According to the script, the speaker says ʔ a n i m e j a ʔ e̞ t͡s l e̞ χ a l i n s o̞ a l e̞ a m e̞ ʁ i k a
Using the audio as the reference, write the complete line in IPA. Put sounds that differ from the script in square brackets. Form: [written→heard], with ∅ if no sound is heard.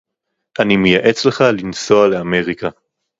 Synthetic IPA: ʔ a n i m e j a ʔ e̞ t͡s l e̞ χ a l i n s o̞ a l e̞ a m e̞ ʁ i k a

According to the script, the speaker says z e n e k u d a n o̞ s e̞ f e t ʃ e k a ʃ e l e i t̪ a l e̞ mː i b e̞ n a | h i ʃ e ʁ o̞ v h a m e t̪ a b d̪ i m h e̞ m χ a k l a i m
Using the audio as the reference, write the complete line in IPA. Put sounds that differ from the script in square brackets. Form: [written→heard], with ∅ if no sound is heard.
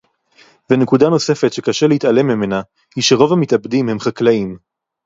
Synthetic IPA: [z→v] e n e k u d a n o̞ s e̞ f e t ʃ e k a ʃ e l e i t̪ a l e̞ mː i [b→m] e̞ n a | h i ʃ e ʁ o̞ v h a m [e→i] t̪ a b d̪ i m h e̞ m χ a k l a i m

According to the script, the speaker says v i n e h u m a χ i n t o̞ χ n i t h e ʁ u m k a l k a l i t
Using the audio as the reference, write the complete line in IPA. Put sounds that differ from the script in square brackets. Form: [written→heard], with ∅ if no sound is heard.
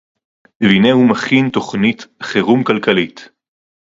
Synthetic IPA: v i n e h u m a χ i n t o̞ χ n i t [h→χ] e ʁ u m k a l k a l i t

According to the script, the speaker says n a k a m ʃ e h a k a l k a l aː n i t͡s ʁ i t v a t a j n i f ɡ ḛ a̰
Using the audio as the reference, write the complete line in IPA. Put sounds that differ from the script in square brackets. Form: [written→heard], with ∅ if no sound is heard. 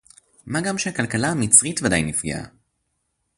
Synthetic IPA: [n→m] a [k→ɡ] a m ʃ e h a k a l k a l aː [n→m] i t͡s ʁ i t v a [t→d] a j n i f ɡ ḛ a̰

